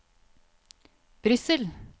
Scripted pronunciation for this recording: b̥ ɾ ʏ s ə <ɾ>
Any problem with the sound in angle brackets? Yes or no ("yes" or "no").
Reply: yes